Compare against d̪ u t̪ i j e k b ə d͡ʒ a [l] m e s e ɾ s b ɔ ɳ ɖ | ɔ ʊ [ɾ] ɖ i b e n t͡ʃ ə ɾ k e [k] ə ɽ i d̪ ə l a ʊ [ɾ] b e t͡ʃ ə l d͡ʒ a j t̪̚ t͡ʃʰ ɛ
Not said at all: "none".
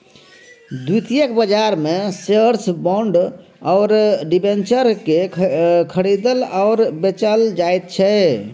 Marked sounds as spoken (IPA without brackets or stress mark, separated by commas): ɾ, ɾ, kʰ, ɾ